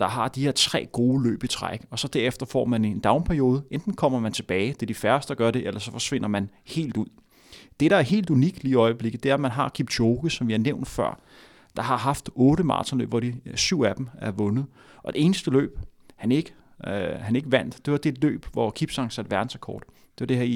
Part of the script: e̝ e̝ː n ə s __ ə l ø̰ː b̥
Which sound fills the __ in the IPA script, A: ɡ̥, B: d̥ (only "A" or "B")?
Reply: B